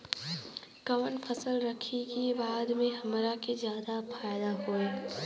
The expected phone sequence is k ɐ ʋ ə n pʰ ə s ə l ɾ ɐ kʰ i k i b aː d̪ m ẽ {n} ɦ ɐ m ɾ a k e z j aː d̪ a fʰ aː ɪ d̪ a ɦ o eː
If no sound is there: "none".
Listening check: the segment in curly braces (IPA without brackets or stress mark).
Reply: none